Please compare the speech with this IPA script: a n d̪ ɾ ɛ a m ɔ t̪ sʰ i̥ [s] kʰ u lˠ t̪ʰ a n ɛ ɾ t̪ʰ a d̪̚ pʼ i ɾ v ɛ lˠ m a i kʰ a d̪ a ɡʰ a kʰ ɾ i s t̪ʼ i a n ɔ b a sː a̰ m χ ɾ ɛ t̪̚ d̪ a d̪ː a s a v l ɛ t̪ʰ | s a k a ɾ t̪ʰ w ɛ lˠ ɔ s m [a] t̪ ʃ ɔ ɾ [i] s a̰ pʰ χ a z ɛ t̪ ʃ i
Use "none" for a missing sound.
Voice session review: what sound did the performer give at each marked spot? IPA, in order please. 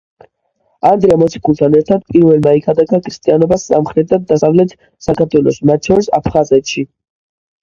none, a, i

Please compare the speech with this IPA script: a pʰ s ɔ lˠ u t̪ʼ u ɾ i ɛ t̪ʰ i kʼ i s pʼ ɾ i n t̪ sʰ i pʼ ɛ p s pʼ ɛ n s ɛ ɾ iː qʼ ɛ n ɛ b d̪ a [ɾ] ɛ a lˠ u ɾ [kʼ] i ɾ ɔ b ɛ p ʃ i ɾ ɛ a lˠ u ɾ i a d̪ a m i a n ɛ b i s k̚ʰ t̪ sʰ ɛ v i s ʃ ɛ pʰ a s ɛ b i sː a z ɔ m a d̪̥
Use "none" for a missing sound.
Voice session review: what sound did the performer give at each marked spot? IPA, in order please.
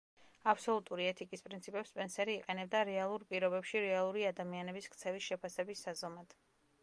ɾ, pʼ

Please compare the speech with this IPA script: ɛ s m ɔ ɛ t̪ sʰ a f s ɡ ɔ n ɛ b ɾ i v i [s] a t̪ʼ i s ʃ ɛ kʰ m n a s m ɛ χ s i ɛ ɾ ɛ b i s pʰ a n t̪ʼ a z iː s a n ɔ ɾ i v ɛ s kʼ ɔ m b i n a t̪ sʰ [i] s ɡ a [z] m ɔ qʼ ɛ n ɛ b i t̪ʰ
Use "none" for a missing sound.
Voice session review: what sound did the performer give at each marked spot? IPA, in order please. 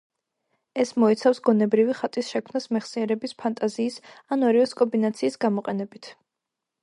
χ, iː, none

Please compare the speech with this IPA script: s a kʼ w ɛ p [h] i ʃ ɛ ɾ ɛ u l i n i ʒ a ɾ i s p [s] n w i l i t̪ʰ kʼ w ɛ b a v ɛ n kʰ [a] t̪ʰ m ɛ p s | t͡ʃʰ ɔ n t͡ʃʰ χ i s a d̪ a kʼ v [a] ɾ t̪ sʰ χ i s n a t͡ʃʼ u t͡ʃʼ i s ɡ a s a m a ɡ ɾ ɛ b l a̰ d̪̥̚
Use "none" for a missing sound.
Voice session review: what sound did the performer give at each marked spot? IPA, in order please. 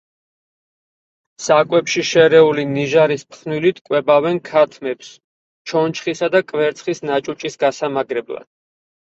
ʃ, χ, a, ɛ

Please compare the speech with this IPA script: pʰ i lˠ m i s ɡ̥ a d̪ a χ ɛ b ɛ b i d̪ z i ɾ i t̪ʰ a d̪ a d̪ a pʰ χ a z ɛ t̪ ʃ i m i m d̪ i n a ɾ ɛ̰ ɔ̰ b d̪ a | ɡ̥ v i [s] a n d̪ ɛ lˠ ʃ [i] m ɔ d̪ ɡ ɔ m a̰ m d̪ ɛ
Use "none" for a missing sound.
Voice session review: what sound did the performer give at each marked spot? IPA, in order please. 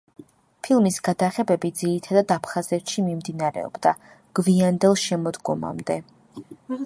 none, ɛ

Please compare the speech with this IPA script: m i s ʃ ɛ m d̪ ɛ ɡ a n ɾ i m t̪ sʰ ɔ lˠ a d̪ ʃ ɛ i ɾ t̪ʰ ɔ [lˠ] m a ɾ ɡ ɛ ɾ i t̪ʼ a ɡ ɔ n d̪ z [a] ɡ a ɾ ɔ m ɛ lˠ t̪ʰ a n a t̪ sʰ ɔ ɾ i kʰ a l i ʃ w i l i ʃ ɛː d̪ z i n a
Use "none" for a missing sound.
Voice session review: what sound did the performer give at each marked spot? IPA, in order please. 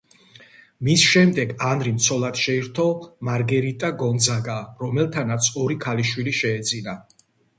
none, a

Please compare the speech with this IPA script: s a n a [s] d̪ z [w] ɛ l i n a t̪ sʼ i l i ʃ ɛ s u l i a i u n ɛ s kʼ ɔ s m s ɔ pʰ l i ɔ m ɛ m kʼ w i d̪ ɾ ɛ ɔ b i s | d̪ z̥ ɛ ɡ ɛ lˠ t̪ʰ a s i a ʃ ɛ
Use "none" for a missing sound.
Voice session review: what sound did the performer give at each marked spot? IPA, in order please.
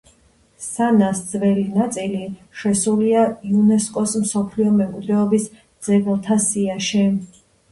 s, v

